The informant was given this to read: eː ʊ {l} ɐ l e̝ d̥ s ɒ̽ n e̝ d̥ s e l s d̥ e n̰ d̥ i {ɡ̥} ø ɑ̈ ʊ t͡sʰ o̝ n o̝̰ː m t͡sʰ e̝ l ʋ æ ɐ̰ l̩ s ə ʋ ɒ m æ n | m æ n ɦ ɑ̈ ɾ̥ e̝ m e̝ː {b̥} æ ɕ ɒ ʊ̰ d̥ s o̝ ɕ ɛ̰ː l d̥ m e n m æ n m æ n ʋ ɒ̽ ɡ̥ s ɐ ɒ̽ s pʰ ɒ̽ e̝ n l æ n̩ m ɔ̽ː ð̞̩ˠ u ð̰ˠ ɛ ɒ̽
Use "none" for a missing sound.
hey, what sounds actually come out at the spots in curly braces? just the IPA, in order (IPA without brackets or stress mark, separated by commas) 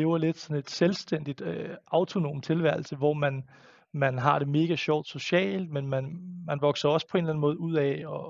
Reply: none, d̥, ɡ̥